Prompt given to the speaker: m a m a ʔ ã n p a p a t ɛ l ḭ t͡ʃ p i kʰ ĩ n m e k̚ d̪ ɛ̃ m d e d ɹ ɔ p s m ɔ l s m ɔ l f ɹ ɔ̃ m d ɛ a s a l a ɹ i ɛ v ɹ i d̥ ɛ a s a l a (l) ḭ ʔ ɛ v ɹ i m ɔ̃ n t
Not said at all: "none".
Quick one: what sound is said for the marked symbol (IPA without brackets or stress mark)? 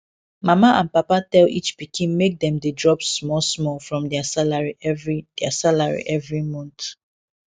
ɹ